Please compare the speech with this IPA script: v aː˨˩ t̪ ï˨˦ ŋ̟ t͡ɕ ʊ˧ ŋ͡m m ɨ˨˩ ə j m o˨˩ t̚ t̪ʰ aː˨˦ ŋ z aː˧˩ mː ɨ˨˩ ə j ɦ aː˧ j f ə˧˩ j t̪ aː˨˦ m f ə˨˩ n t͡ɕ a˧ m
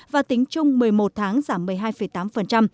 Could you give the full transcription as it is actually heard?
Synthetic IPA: v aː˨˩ t̪ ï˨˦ ŋ̟ t͡ɕ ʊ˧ ŋ͡m m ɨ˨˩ ə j m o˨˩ t̚ t̪ʰ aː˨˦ ŋ z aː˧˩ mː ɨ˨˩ ə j ɦ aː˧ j f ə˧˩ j t̪ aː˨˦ m f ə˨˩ n t͡ɕ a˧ m